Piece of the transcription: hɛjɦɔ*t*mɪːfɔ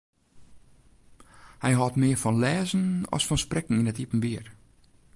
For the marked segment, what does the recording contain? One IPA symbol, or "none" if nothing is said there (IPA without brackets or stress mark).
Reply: t